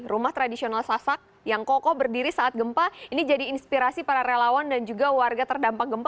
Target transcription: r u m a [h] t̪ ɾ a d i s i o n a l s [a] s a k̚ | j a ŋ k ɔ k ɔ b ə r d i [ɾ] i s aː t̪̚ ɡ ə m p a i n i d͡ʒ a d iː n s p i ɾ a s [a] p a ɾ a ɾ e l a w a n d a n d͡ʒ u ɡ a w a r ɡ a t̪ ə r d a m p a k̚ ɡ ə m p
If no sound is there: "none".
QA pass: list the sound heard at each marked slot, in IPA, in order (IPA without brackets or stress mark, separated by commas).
h, a, ɾ, i